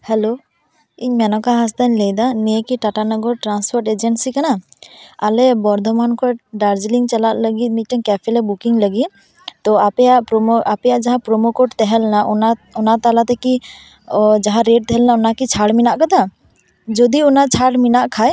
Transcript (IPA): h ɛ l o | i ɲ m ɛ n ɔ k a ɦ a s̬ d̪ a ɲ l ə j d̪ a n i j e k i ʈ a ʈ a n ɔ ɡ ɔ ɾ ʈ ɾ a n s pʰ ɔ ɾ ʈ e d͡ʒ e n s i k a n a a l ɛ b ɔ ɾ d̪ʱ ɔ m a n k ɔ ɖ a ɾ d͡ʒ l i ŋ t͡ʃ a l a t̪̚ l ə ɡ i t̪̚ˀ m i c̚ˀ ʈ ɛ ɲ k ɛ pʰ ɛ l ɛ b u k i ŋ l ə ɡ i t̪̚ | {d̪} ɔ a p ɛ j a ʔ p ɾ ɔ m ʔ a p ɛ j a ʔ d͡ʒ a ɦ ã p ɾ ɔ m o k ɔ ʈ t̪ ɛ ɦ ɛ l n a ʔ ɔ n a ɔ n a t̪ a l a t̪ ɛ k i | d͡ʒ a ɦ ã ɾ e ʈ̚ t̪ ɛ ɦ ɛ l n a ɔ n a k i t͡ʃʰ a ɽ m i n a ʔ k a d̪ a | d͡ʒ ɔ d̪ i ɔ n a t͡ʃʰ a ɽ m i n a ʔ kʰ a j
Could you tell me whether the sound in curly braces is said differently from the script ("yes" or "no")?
yes